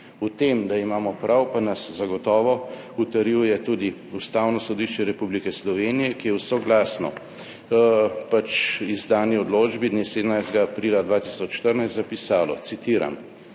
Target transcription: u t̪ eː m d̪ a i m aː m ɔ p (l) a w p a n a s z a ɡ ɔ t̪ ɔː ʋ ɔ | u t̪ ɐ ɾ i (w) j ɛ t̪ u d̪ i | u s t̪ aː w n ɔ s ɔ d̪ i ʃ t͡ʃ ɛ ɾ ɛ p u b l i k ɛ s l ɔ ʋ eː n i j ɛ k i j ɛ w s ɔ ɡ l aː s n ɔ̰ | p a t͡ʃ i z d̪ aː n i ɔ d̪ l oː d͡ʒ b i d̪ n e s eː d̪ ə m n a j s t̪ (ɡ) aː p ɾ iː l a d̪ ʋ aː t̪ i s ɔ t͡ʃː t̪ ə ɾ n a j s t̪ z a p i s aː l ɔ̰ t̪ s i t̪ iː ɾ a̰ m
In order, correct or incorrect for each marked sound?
incorrect: ɾ, correct, correct

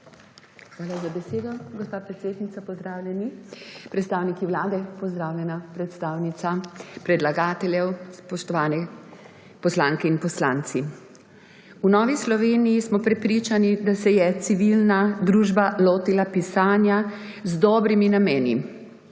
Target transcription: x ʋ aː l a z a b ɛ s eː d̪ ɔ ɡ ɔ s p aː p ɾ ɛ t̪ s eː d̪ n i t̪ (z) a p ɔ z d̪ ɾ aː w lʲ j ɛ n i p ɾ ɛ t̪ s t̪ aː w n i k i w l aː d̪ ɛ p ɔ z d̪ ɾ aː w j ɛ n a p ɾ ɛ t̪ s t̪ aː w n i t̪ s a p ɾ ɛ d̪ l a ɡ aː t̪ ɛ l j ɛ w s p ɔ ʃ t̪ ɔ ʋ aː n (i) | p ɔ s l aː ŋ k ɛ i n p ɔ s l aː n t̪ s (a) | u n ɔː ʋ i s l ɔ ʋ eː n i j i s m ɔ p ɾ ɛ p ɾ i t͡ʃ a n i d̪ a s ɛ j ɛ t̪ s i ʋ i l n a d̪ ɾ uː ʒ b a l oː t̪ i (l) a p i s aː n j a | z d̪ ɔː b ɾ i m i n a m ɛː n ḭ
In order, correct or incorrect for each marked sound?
incorrect: s, incorrect: ɛ, incorrect: i, correct

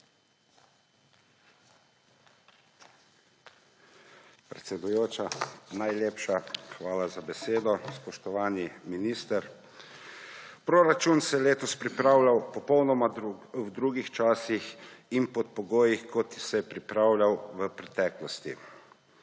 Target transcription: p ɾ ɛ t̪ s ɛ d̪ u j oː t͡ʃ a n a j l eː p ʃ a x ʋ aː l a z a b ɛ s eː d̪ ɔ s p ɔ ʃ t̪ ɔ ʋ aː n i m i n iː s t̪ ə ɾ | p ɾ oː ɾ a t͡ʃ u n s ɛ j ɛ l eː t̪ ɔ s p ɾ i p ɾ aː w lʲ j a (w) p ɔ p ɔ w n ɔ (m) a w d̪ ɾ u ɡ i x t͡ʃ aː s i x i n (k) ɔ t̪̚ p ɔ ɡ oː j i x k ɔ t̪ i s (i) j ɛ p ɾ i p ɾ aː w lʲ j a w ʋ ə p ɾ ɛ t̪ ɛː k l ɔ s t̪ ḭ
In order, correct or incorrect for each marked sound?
correct, correct, incorrect: p, incorrect: ɛ

